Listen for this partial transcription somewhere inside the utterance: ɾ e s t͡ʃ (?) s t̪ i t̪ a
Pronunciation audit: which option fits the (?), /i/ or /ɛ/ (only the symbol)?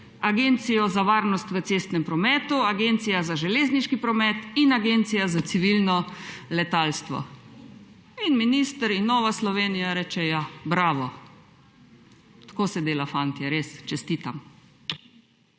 ɛ